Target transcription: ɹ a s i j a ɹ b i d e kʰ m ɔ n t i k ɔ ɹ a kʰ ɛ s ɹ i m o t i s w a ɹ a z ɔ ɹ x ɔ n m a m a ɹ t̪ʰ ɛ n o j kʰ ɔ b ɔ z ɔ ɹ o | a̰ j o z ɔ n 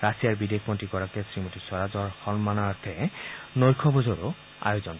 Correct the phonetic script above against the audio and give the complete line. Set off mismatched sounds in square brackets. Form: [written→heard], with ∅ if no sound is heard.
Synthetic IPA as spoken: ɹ a s i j a ɹ b i d e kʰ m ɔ n t i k ɔ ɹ a [kʰ→k] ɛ s ɹ i m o t i s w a ɹ a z ɔ ɹ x ɔ n m a [m→n] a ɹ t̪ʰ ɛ n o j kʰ ɔ b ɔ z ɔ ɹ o | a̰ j o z ɔ n

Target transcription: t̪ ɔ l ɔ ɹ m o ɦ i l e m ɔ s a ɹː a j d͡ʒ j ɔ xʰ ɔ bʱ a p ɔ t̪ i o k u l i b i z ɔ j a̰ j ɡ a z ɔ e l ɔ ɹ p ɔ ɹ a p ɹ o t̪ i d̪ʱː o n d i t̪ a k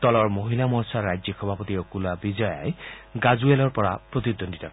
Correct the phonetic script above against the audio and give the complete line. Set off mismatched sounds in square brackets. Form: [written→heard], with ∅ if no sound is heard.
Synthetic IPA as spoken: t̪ ɔ l ɔ ɹ m o ɦ i l [e→a] m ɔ s a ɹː a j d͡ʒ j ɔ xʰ ɔ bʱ a p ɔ t̪ i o k u l [i→a] b i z ɔ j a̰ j ɡ a z [ɔ→u] e l ɔ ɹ p ɔ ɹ a p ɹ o t̪ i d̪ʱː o n d i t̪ a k

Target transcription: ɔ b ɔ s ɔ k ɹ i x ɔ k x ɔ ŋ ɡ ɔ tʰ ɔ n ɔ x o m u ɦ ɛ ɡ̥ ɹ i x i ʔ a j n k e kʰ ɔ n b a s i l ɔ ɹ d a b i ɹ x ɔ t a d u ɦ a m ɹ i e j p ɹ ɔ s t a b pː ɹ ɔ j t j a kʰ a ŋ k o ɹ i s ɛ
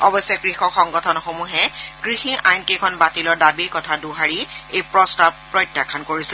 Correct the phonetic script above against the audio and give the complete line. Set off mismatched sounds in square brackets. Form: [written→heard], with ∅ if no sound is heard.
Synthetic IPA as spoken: ɔ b ɔ s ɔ k ɹ i x ɔ k x ɔ ŋ ɡ ɔ tʰ ɔ n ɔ x o m u ɦ ɛ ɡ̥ ɹ i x i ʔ a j n k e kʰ ɔ n b a [s→t] i l ɔ ɹ d a b i ɹ [x→k] ɔ [t→tʰ] a d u ɦ a [m→∅] ɹ i e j p ɹ ɔ s t a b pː ɹ ɔ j t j a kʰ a [ŋ→n] k o ɹ i s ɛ

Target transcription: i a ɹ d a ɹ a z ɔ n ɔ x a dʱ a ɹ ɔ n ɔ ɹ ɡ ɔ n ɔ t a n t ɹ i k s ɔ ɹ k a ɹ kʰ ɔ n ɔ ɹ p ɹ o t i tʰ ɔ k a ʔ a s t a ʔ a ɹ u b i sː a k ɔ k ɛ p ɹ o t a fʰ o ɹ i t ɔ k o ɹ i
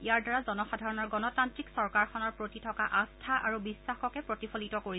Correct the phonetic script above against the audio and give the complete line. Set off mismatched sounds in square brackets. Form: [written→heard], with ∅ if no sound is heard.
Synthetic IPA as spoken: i a ɹ d a ɹ a z ɔ n ɔ x a dʱ a ɹ ɔ n ɔ ɹ ɡ ɔ n ɔ t a n t ɹ i k s ɔ ɹ k a ɹ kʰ ɔ n ɔ ɹ p ɹ o t i tʰ ɔ k a ʔ a s [t→tʰ] a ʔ a ɹ u b i sː a [k→x] ɔ k ɛ p ɹ o t [a→i] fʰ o [ɹ→l] i t ɔ k o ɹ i

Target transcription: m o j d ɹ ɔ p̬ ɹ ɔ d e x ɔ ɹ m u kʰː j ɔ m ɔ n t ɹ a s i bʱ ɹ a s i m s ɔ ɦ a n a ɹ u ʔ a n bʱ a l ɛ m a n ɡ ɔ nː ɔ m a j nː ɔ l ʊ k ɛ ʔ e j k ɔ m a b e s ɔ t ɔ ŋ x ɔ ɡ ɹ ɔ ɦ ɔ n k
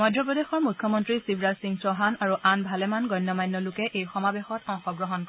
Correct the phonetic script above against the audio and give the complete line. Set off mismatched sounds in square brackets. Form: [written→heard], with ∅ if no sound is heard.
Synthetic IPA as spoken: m [o→ɔ] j d ɹ ɔ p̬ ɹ ɔ d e x ɔ ɹ m u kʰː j ɔ m ɔ n t ɹ [a→i] s i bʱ ɹ a s i [m→ŋ] s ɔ ɦ a n a ɹ u ʔ a n bʱ a l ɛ m a n ɡ ɔ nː ɔ m a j nː ɔ l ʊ k ɛ ʔ e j [k→x] ɔ m a b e [s→x] ɔ t ɔ ŋ x ɔ ɡ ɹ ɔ ɦ ɔ n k

